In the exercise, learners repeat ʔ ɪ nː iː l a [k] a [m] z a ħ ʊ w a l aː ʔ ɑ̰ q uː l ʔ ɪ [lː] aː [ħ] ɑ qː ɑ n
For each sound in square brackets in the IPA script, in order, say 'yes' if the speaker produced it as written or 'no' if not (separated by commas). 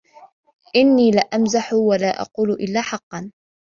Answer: no, yes, yes, yes